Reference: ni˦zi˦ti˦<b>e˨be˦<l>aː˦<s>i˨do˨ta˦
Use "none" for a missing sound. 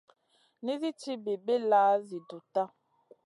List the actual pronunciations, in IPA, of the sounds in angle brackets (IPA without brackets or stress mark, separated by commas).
b, l, z